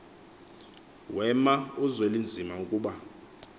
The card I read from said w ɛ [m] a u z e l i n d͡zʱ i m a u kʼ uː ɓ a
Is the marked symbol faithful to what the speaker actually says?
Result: yes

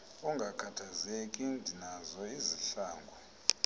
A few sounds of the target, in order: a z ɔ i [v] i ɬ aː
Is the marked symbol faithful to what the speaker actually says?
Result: no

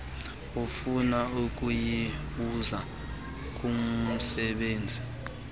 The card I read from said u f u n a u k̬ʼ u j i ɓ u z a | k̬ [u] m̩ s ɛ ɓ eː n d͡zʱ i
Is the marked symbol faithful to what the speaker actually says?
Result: yes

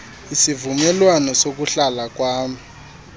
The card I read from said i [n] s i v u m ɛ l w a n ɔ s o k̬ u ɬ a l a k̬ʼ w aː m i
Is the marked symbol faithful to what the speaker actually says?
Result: no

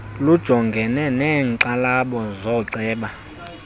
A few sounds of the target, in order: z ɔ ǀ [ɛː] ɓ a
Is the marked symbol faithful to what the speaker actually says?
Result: yes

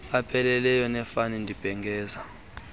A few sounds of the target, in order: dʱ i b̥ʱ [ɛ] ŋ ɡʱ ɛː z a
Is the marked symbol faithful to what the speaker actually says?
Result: yes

